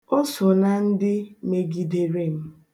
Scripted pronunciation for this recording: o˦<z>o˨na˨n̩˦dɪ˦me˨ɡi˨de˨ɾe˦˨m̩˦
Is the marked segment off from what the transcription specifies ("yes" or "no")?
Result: yes